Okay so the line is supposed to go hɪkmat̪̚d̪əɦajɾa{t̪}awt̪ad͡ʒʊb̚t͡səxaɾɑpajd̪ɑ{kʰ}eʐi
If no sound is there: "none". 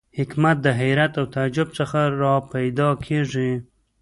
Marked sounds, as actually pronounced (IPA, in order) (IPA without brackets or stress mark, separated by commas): t̪, kʰ